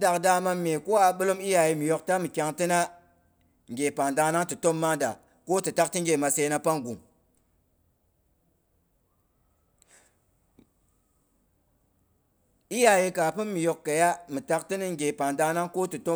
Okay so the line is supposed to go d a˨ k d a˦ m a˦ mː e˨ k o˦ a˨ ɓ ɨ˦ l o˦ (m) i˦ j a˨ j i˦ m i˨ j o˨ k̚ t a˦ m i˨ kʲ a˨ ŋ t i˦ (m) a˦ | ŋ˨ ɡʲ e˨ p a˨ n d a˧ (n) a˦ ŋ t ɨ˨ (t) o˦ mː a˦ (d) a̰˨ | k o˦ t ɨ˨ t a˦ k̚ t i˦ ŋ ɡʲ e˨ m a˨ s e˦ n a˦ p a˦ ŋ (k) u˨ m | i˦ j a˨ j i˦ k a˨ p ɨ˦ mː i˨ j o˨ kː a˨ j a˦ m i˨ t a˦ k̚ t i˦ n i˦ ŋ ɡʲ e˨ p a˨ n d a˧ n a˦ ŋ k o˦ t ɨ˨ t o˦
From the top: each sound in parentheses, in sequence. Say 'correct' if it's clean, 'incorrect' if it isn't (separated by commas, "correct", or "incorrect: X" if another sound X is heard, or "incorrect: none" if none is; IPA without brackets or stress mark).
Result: correct, incorrect: n, correct, correct, correct, incorrect: ɡ